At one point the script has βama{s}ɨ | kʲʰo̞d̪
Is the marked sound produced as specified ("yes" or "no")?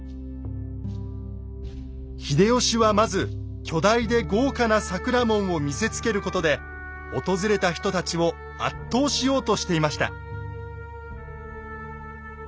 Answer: no